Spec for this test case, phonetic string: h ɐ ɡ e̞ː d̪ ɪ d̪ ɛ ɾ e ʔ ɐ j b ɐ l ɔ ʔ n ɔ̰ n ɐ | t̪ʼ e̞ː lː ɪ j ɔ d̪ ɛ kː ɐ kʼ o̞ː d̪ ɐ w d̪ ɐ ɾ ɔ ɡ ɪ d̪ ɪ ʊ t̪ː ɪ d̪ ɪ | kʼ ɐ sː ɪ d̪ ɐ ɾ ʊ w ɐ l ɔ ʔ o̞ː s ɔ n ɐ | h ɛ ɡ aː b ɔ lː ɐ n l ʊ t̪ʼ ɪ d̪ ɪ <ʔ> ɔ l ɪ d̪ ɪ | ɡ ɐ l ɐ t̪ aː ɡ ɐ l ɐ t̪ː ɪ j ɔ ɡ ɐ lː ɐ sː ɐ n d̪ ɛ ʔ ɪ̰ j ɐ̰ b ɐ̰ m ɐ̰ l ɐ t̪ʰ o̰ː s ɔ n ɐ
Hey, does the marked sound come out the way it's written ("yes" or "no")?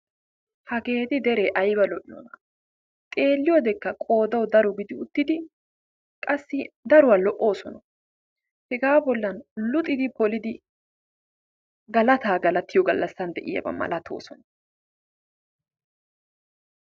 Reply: no